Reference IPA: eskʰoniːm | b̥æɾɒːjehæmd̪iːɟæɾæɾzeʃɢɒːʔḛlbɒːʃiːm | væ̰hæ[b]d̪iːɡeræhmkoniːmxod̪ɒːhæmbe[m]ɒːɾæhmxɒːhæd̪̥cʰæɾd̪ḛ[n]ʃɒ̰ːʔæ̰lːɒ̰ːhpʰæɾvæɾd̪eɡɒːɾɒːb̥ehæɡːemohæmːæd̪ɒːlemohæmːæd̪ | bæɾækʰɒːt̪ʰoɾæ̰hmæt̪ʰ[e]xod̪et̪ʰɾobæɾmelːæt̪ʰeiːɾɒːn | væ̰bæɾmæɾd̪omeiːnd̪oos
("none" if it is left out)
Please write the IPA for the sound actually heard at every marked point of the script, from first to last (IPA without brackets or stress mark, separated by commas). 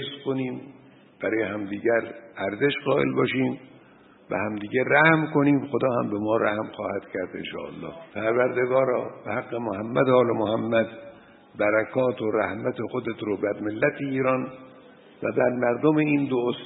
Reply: m, m, n, e